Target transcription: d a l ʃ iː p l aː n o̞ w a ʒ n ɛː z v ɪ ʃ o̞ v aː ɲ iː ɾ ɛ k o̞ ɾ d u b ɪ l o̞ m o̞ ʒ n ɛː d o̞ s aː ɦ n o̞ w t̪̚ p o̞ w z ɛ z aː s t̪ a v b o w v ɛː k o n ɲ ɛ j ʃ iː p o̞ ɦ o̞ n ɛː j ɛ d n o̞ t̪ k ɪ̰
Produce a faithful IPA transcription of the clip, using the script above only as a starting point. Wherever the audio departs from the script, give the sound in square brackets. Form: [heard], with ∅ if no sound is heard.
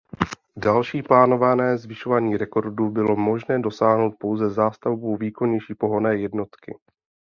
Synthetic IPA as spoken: d a l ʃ iː p l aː n o̞ [v] a [∅] n ɛː z v ɪ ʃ o̞ v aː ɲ iː ɾ ɛ k o̞ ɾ d u b ɪ l o̞ m o̞ ʒ n ɛː d o̞ s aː ɦ n o̞ w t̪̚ p o̞ w z ɛ z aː s t̪ a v b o w v [iː] k o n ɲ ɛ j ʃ iː p o̞ ɦ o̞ n ɛː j ɛ d n o̞ t̪ k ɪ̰